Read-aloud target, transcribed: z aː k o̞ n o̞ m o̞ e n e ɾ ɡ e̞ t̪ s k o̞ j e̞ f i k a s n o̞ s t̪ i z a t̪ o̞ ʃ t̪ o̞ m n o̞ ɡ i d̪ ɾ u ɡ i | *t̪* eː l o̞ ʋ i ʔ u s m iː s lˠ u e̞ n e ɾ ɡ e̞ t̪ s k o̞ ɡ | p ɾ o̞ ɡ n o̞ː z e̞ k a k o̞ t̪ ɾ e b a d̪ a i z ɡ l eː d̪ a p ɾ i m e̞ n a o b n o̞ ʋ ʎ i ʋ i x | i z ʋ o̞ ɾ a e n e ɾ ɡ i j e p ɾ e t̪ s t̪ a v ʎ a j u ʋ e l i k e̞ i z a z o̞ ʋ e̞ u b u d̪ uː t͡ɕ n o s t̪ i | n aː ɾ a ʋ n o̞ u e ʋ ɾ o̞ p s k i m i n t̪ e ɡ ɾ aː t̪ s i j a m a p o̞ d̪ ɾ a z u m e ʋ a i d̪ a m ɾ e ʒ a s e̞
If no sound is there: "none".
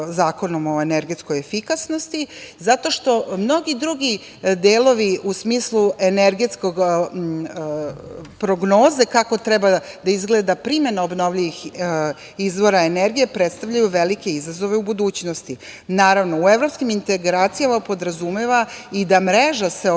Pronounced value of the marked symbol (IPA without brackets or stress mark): d̪